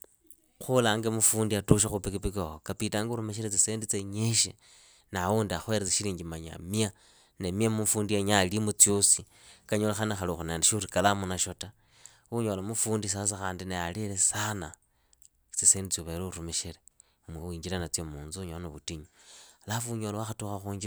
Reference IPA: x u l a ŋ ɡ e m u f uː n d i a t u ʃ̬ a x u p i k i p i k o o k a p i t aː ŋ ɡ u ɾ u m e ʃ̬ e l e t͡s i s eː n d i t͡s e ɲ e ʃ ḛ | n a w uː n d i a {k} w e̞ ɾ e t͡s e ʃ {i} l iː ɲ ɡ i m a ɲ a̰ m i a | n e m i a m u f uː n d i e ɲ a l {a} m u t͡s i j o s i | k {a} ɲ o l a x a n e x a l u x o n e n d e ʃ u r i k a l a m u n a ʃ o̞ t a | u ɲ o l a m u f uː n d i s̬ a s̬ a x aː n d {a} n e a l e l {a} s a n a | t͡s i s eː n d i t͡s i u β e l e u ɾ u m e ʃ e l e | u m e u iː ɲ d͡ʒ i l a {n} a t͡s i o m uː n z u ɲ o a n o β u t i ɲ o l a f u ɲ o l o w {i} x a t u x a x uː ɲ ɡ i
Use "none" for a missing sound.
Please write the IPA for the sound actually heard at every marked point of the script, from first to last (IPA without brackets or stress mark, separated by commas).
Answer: x, i, i, a, i, e, n, a